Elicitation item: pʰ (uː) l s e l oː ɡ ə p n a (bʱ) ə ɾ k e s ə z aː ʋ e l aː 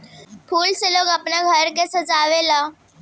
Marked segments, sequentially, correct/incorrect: correct, incorrect

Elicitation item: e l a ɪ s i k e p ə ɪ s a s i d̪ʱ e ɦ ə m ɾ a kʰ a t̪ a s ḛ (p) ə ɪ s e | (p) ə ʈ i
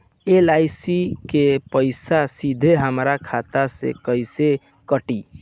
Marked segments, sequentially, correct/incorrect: incorrect, incorrect

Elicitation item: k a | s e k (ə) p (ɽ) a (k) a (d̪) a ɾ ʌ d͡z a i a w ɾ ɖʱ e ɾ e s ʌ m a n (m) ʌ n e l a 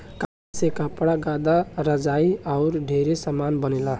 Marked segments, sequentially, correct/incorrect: incorrect, correct, incorrect, correct, incorrect

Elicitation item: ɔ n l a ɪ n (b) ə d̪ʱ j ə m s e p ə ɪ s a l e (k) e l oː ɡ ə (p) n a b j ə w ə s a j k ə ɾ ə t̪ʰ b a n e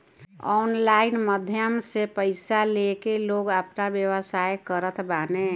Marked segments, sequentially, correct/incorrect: incorrect, correct, correct

